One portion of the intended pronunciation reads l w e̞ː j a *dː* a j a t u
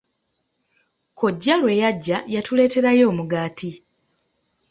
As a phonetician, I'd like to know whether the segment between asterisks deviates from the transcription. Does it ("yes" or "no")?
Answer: yes